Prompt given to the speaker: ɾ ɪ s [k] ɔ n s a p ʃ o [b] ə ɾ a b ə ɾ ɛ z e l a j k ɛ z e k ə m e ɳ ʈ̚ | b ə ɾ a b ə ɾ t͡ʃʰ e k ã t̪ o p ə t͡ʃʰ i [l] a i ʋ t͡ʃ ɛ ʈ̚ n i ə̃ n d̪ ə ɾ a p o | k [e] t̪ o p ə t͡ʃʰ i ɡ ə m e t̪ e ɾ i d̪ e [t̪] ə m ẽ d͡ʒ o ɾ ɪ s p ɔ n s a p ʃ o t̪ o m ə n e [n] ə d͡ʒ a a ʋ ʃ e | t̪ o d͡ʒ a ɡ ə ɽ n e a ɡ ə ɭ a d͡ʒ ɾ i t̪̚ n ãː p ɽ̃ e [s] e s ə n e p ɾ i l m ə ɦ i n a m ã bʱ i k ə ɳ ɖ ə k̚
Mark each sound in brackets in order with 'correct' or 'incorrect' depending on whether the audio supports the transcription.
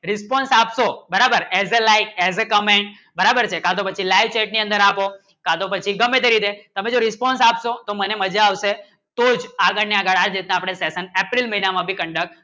incorrect, correct, correct, incorrect, correct, incorrect, correct

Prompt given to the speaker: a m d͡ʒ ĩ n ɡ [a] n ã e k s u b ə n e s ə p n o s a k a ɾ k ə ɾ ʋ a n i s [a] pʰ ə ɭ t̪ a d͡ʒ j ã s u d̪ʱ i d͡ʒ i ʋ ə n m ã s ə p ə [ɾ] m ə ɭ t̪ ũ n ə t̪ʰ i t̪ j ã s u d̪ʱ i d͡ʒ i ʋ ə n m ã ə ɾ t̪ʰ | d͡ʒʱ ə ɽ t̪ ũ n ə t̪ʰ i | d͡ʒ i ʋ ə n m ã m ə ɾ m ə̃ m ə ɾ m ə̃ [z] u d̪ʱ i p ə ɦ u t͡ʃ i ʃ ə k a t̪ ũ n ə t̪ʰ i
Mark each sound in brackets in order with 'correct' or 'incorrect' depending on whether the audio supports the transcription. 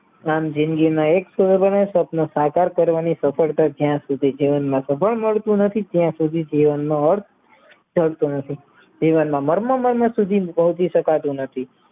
incorrect, incorrect, incorrect, incorrect

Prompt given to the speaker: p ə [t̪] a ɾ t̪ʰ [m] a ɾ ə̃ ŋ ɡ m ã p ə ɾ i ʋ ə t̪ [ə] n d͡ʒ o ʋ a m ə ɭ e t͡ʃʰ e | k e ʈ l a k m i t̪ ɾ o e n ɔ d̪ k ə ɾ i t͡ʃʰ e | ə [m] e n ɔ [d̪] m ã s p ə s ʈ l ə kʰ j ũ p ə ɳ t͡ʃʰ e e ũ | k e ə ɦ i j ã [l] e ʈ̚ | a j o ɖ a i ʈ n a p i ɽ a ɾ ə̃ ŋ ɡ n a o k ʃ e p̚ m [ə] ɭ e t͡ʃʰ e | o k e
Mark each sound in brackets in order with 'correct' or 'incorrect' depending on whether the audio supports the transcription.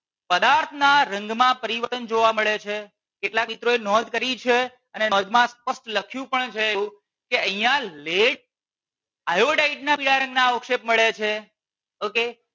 incorrect, incorrect, correct, incorrect, correct, correct, correct

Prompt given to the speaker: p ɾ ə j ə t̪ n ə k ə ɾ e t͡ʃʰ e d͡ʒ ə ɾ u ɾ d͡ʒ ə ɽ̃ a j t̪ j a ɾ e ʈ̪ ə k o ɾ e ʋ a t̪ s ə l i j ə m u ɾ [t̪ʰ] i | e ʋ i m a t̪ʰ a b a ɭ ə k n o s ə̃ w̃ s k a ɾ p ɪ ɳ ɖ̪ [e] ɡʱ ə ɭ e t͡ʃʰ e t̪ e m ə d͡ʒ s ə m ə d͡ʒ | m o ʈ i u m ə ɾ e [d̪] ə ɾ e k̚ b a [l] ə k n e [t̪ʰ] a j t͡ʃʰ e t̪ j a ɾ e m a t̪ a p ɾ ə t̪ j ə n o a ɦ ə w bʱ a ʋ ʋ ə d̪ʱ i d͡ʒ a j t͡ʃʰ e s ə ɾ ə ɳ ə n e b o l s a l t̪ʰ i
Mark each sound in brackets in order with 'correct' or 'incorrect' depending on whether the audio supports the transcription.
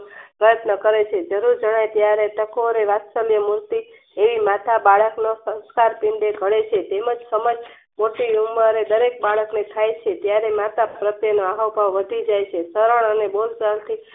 incorrect, correct, correct, incorrect, correct

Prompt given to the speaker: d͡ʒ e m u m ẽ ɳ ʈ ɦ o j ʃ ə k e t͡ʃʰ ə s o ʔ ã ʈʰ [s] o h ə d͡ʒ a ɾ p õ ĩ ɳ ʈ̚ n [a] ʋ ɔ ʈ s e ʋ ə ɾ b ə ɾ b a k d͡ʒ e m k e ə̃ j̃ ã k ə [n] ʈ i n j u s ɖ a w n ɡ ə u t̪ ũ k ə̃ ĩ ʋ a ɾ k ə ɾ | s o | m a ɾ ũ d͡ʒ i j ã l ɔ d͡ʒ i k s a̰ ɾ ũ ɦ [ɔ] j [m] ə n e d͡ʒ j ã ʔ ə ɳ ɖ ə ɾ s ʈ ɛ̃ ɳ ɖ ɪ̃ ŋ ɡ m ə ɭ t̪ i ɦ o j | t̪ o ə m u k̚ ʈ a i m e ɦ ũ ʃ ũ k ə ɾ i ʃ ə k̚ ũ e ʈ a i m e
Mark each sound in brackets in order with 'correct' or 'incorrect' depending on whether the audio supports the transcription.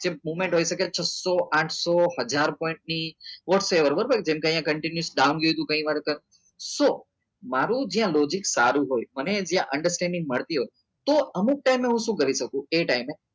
correct, incorrect, incorrect, incorrect, correct

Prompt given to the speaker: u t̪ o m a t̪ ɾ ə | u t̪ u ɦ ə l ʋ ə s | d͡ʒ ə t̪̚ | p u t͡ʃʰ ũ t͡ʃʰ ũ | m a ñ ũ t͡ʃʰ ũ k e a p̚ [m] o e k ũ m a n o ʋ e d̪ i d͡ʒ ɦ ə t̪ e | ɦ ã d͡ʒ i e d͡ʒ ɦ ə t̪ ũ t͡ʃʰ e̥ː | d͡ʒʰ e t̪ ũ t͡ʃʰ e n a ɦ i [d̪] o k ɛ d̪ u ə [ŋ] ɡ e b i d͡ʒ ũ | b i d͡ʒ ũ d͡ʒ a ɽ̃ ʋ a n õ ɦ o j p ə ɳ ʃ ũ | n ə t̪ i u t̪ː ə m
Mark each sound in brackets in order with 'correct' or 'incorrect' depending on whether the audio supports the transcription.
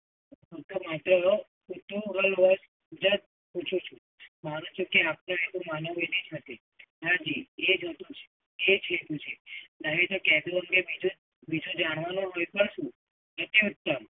incorrect, incorrect, correct

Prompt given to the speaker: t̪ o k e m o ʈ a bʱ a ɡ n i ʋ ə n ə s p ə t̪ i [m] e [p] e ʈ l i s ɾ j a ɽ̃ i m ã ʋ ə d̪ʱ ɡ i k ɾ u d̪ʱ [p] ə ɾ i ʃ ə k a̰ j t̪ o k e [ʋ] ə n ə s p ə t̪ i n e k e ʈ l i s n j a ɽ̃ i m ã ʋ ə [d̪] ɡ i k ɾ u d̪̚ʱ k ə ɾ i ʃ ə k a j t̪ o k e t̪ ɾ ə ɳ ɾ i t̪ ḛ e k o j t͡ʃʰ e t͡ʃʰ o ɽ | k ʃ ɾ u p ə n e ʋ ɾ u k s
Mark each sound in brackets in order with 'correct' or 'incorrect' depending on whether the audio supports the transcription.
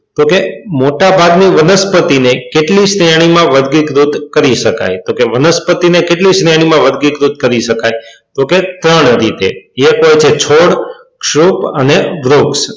incorrect, incorrect, incorrect, correct, correct

